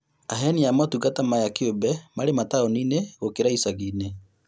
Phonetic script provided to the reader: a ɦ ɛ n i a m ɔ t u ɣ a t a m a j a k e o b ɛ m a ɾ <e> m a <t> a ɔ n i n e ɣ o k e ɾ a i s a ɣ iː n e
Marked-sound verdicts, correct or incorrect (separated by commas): correct, correct